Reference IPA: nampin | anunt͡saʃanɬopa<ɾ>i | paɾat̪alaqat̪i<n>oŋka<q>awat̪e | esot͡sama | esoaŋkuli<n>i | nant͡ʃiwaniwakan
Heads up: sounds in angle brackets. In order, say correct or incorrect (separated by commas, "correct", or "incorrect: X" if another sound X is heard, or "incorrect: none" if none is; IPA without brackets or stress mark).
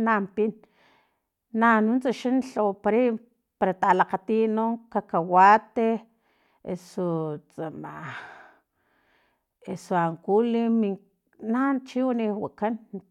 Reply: correct, correct, incorrect: k, incorrect: m